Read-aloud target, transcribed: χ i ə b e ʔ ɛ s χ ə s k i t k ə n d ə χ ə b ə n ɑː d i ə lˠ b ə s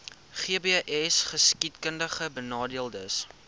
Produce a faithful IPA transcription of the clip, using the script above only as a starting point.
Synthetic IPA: χ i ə b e ʔ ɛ s χ ə s k i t k ə n d ə χ ə b ə n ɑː d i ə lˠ d ə s